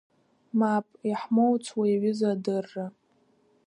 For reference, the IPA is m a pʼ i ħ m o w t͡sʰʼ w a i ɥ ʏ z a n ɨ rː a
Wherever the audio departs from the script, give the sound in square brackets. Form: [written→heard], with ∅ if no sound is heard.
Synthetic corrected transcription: m a pʼ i ħ m o w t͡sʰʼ w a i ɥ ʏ z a [n→d] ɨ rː a

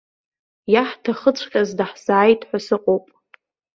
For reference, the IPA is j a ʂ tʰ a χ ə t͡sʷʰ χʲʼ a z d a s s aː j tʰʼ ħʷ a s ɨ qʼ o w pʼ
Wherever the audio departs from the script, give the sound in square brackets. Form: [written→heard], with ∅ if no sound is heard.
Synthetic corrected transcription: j a [ʂ→ħ] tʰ a χ ə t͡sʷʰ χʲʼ a z d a [s→ħ] s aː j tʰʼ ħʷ a s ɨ qʼ o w pʼ

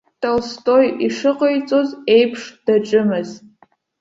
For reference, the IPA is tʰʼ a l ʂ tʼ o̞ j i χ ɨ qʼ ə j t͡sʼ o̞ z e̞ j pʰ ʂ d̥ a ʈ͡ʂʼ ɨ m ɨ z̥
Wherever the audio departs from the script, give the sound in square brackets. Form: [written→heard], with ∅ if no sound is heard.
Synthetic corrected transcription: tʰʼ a l [ʂ→s] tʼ o̞ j i [χ→ʂ] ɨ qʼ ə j t͡sʼ o̞ z e̞ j pʰ ʂ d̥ a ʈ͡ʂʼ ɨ m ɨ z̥

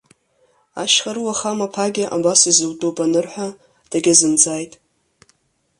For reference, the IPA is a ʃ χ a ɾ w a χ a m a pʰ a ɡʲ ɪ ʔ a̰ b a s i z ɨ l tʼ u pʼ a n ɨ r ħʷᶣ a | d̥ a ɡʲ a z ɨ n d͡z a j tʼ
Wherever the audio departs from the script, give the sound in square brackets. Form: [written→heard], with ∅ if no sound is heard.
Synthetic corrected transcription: a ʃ χ a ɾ w a χ a m a pʰ a ɡʲ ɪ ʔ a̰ b a s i z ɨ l tʼ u pʼ a n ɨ r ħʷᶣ a | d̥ a ɡʲ a z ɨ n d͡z a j tʼ

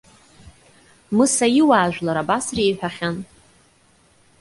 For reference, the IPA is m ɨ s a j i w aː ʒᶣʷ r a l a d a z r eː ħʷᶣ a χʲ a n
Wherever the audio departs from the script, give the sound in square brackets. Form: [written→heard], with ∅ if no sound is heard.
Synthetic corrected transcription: m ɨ s a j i w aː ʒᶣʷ [r→l] a [l→ɾ] a [d→b] a [z→s] r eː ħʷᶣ a χʲ a n

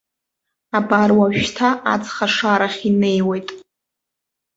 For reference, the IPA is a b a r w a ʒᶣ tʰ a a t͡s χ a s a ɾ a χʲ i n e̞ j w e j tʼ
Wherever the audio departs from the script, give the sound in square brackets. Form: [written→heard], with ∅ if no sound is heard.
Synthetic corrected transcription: a b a r w a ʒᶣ tʰ a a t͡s χ a [s→ʂ] a ɾ a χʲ i n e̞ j w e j tʼ

